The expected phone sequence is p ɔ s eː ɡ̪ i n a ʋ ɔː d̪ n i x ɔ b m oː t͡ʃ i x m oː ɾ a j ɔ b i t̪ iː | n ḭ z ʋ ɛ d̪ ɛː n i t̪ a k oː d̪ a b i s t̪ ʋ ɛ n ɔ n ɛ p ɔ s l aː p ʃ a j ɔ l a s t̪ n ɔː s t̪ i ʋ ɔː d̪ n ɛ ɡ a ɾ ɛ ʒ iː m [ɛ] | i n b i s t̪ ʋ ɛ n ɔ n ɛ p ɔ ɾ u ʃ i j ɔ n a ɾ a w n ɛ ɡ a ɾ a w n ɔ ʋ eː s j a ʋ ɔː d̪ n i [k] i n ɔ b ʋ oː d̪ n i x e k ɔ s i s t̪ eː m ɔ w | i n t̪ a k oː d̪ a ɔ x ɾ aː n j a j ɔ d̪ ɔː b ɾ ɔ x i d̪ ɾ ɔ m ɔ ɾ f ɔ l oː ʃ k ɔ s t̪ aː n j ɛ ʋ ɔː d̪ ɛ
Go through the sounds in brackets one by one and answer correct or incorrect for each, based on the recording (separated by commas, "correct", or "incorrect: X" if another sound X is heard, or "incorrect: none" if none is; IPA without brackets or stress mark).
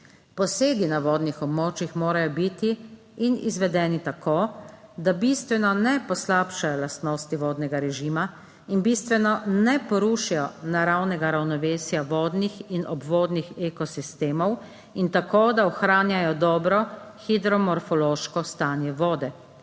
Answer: incorrect: a, incorrect: x